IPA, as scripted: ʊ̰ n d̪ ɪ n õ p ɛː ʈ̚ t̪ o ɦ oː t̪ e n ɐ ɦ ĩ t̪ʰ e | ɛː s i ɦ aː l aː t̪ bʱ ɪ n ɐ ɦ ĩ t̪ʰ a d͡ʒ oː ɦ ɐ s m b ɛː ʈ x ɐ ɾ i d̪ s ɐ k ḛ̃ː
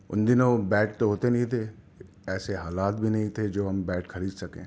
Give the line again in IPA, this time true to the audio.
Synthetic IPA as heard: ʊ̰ n d̪ ɪ n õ b ɛː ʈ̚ t̪ o ɦ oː t̪ e n ɐ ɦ ĩ t̪ʰ e | ɛː s e ɦ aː l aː t̪ bʱ i n ɐ ɦ ĩ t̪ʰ e d͡ʒ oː ɦ ɐ m b ɛː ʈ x ɐ ɾ iː d̪ s ɐ k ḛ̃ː